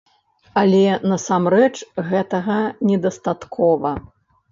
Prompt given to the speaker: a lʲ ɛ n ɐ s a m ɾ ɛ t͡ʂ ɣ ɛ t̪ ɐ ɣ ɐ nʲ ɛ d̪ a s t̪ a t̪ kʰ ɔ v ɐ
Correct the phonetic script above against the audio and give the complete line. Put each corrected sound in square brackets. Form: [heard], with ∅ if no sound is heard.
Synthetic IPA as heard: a lʲ ɛ n ɐ s a m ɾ ɛ t͡ʂ ɣ ɛ t̪ ɐ ɣ ɐ nʲ ɛ d̪ [ɐ] s t̪ a t̪ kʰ ɔ v ɐ